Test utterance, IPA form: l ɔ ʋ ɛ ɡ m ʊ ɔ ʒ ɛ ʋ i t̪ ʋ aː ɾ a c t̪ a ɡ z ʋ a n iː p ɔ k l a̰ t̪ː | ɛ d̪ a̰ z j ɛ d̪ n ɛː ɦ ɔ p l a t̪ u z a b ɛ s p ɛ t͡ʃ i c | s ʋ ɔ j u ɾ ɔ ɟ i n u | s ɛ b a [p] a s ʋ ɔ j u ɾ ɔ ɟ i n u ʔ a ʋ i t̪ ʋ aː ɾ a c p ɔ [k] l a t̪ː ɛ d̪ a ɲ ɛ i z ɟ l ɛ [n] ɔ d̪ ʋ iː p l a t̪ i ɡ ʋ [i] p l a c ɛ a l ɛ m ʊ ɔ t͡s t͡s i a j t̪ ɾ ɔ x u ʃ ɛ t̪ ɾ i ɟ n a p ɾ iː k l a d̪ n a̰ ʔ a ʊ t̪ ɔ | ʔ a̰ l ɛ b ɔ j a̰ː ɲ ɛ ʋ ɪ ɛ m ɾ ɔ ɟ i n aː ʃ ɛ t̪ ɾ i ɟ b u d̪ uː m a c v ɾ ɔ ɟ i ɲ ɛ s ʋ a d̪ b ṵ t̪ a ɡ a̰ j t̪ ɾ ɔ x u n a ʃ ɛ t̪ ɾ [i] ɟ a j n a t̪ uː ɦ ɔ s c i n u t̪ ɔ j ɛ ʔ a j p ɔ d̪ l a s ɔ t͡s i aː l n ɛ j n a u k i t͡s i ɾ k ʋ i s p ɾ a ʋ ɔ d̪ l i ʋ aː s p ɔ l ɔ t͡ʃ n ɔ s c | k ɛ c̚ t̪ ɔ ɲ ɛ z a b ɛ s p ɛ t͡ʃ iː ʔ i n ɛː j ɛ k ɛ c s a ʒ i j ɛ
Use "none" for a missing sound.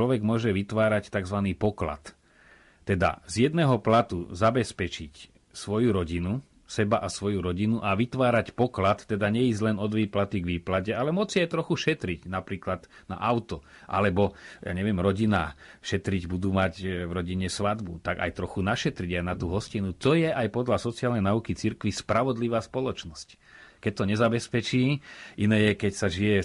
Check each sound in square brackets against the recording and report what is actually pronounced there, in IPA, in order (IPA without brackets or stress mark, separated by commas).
ʔ, k, n, iː, i